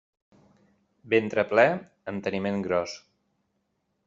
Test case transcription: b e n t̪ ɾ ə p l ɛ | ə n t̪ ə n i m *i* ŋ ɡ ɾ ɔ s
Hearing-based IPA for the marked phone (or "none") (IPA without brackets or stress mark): e